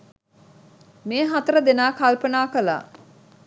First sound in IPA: m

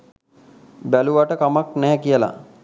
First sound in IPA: b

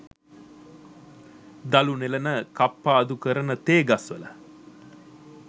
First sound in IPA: d̪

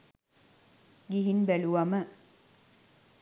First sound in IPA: ɡ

